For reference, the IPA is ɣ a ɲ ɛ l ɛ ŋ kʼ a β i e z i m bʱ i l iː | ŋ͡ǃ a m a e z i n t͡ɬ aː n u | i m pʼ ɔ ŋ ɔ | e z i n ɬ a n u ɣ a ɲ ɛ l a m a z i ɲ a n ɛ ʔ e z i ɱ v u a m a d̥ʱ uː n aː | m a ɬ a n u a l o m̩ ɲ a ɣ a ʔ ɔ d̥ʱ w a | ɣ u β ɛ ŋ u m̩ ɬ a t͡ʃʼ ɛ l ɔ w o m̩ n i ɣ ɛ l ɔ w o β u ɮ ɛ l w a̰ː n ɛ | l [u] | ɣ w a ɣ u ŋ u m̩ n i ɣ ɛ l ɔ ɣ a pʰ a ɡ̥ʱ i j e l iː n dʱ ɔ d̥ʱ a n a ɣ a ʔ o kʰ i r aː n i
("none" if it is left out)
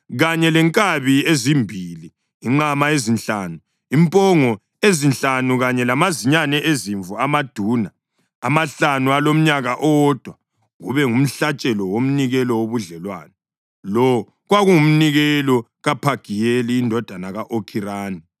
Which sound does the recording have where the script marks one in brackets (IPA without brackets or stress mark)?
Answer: ɔ